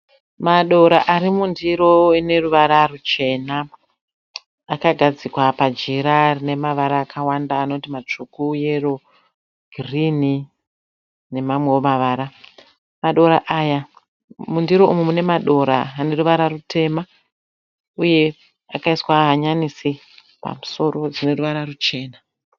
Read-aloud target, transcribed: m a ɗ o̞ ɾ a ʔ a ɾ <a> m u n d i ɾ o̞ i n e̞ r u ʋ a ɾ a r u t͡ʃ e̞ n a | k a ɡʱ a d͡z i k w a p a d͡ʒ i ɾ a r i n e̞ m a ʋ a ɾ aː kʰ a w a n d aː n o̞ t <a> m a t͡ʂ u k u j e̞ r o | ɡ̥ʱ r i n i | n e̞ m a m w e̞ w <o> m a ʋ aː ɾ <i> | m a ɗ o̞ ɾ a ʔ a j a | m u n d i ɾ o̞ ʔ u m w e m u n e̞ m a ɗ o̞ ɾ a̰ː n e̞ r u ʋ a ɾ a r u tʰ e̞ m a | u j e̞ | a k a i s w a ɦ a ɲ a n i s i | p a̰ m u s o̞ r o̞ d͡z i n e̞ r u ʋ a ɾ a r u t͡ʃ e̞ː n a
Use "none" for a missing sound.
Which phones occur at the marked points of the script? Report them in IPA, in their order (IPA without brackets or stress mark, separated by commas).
i, i, o, a